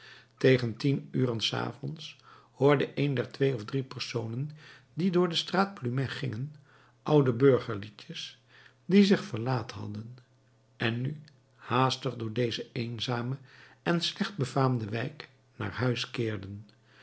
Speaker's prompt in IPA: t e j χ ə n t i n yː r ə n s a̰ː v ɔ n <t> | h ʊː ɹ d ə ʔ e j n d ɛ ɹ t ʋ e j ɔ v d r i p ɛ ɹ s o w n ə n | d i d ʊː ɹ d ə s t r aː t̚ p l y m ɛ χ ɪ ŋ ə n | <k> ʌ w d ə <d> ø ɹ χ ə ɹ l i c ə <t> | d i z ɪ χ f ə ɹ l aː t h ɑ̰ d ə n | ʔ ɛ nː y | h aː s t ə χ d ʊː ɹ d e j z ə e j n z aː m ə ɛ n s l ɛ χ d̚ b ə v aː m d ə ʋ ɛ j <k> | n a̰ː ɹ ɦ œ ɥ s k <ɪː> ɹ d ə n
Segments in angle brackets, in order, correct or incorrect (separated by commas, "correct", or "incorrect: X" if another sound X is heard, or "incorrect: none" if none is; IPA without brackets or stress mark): incorrect: s, incorrect: ʔ, incorrect: b, incorrect: s, correct, correct